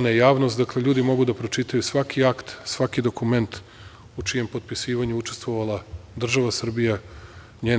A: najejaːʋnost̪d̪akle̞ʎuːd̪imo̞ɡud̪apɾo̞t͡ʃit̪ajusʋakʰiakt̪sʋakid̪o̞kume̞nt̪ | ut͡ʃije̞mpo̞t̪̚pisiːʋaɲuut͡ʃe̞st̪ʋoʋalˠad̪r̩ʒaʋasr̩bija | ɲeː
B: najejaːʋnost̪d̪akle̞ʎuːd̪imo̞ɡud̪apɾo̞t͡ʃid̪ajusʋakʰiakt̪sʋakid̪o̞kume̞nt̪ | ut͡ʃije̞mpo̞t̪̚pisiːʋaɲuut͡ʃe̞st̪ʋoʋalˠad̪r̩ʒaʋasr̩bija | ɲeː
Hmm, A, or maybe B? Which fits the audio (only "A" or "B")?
A